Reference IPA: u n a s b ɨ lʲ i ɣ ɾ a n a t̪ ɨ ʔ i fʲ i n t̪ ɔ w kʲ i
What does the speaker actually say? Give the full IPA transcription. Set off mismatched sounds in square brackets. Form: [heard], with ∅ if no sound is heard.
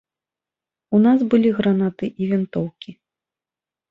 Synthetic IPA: u n a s b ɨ lʲ i ɣ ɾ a n a t̪ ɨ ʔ i [vʲ] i n t̪ ɔ w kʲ i